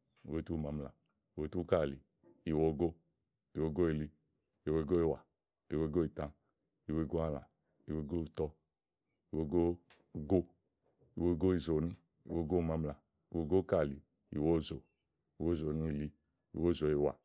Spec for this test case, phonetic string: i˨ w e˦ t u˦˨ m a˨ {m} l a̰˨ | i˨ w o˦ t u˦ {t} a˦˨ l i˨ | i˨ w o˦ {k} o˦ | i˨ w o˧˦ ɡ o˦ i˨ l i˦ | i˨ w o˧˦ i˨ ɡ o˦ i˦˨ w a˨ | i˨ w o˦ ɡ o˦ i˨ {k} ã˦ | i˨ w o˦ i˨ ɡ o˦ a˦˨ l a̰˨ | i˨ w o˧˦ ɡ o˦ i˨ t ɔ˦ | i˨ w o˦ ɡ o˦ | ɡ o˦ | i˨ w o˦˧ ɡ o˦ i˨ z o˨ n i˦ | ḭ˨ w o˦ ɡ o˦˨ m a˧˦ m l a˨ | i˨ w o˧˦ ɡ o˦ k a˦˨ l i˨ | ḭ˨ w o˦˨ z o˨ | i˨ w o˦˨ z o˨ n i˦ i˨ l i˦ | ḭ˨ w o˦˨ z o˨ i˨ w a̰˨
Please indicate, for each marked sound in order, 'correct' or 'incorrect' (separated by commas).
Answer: correct, incorrect, incorrect, incorrect